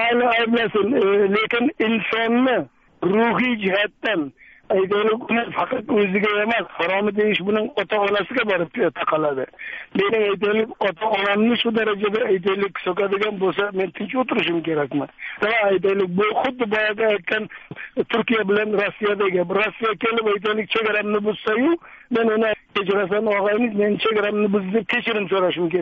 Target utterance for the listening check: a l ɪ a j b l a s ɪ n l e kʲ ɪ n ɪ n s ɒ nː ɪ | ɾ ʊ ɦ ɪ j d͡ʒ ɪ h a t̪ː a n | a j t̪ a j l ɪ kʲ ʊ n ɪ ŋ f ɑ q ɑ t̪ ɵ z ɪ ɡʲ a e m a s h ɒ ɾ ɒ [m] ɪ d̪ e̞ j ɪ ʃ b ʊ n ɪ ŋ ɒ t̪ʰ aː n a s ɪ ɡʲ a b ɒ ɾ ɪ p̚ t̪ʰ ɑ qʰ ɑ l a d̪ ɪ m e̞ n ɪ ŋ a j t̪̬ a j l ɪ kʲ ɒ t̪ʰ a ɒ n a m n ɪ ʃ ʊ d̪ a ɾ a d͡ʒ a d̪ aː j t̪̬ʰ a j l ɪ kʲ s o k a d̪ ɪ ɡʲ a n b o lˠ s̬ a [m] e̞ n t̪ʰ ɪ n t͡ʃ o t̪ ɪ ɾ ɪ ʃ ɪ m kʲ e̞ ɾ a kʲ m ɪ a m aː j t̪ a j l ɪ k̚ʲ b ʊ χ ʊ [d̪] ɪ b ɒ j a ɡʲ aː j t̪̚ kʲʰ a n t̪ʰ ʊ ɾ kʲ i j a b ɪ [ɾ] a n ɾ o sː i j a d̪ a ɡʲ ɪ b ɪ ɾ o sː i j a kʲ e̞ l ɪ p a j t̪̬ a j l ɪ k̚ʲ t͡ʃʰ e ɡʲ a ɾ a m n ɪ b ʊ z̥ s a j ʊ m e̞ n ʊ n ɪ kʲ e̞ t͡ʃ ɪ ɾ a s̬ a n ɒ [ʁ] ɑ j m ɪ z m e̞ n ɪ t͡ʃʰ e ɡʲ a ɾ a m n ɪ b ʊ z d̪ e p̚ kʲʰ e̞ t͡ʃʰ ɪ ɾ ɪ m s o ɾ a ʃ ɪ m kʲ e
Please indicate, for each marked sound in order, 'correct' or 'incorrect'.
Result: correct, correct, incorrect, incorrect, correct

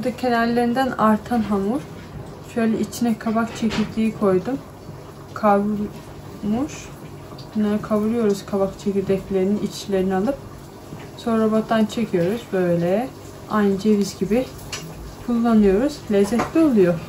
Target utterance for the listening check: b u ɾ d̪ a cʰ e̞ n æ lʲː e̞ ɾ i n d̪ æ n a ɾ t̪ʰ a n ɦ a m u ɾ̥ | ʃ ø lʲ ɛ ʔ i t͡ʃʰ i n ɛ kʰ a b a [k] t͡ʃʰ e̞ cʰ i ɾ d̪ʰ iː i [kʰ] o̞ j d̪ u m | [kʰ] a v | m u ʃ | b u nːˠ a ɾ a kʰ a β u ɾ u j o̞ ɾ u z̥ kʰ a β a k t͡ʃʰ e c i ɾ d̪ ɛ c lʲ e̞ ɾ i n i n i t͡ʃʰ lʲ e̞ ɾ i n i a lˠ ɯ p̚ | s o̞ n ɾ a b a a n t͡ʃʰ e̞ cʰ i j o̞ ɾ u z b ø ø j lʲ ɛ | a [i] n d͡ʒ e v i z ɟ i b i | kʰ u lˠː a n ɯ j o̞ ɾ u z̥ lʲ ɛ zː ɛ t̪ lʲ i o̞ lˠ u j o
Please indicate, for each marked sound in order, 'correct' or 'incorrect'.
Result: correct, correct, correct, incorrect

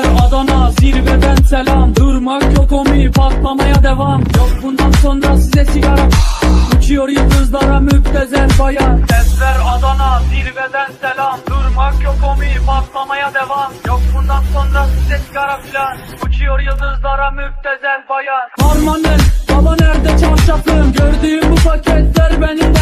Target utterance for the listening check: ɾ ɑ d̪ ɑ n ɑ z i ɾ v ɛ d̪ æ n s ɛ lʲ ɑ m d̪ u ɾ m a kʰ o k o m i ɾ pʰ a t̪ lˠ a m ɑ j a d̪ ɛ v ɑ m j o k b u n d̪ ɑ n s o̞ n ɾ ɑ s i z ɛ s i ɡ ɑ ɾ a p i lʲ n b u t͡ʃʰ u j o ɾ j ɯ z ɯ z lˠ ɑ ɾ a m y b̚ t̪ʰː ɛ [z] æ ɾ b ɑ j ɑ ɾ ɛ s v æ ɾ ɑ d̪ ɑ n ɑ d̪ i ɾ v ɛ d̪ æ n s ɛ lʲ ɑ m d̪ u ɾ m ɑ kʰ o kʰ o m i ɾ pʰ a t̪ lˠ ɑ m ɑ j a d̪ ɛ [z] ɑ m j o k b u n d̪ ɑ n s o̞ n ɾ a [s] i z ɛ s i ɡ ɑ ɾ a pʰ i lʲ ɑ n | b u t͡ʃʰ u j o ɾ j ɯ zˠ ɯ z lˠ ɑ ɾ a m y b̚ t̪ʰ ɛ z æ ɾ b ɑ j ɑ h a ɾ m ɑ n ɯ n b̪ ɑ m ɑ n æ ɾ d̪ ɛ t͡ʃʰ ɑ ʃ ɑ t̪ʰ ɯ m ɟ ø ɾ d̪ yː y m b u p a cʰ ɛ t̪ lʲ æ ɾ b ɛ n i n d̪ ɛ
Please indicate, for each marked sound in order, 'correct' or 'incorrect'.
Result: correct, incorrect, correct

